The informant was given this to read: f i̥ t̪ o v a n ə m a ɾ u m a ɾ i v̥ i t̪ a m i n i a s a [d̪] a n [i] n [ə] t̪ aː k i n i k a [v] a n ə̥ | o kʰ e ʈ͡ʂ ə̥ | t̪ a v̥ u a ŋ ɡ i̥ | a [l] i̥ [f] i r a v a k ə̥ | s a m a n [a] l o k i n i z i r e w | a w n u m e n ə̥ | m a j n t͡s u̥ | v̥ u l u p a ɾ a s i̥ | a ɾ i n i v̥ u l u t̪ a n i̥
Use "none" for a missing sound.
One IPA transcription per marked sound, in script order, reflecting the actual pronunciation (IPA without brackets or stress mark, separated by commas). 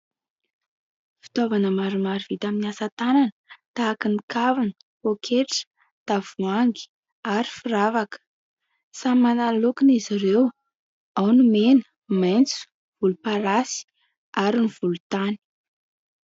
t̪, a, ə, v, ɾ, f, a